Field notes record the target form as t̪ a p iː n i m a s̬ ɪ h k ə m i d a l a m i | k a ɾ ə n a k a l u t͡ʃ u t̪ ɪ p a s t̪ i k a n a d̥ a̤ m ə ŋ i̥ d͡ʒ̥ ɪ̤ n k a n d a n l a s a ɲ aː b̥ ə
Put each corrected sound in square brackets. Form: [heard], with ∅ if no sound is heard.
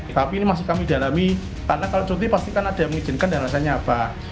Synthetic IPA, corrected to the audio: t̪ a p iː n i m a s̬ ɪ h k [a] m i d a l a m i | k a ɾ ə n a k a l [o] t͡ʃ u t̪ [i] p a s t̪ i k a n a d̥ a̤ m ə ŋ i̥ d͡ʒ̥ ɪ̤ n k a n d a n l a s a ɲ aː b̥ [a]